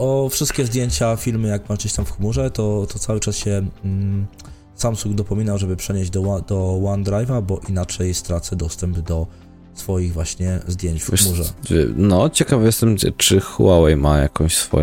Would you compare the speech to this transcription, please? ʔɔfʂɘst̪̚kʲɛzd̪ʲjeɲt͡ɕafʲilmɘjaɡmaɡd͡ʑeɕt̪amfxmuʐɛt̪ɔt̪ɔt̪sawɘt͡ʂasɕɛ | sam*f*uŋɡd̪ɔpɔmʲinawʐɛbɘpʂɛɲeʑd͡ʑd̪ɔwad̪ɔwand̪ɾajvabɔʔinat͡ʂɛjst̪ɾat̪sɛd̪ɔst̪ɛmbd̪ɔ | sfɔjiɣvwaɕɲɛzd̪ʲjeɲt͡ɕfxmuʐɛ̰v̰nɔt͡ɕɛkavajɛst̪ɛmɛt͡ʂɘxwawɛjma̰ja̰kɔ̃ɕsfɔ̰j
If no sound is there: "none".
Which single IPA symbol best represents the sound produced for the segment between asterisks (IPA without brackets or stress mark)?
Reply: s